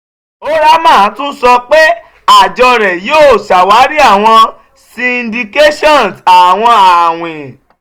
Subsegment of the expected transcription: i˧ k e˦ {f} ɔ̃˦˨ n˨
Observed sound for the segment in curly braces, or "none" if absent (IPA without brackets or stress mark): ʃ